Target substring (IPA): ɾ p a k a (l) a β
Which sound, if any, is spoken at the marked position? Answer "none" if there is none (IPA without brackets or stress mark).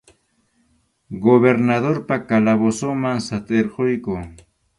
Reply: l